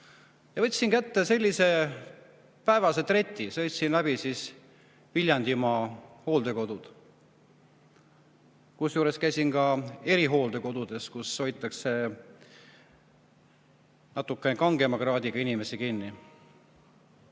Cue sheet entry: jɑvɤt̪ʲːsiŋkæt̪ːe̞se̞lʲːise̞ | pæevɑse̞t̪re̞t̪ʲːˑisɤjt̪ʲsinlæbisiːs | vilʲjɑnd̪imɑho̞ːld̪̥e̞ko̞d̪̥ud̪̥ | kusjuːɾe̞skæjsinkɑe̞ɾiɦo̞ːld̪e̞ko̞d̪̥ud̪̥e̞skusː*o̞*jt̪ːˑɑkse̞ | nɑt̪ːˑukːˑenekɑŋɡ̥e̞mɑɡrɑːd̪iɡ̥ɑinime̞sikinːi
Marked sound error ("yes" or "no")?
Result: no